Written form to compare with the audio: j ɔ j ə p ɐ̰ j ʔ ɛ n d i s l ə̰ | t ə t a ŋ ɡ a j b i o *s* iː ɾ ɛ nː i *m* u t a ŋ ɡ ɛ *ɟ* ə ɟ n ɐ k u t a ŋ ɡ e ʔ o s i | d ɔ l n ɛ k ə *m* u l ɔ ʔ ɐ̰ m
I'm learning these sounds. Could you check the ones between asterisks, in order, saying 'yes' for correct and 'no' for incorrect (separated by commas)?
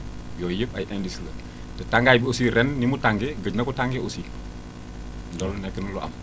yes, yes, no, no